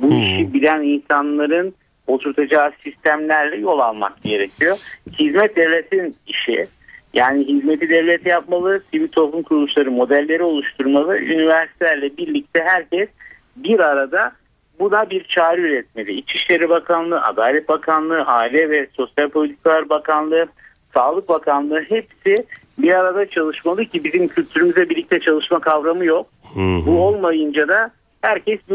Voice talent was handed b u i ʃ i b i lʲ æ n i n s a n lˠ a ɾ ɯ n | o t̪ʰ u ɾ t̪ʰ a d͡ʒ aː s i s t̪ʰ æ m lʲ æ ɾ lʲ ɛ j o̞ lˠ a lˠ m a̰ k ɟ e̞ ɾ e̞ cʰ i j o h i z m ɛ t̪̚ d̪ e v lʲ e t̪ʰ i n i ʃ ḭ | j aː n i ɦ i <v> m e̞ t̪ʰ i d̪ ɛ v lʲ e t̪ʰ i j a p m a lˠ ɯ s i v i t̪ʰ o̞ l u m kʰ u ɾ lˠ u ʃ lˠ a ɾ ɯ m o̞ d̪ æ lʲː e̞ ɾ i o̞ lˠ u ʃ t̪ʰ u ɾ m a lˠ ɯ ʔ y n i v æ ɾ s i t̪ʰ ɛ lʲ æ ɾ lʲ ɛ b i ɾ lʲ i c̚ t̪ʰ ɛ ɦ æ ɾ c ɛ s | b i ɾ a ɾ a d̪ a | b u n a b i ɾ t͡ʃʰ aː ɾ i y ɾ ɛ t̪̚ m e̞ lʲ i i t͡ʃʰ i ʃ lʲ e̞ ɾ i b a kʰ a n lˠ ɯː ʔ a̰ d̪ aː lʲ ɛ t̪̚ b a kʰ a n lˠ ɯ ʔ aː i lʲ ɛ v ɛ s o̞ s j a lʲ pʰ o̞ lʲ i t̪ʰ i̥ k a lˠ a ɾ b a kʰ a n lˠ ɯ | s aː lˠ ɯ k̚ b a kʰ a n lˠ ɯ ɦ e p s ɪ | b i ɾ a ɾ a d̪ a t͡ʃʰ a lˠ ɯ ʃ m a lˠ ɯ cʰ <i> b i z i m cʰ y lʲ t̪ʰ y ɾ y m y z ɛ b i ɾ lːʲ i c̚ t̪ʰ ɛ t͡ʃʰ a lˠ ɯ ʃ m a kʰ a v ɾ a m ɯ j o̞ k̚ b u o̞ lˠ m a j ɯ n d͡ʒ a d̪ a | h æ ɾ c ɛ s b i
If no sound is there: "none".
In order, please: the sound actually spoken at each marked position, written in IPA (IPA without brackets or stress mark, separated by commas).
z, i